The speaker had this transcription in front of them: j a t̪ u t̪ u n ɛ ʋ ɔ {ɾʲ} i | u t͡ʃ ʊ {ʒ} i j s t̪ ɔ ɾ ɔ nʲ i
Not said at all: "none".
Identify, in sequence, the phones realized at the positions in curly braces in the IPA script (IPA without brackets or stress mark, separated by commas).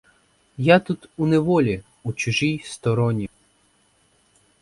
lʲ, ʒ